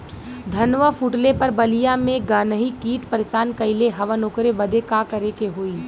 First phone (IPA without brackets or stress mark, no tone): d̪ʱ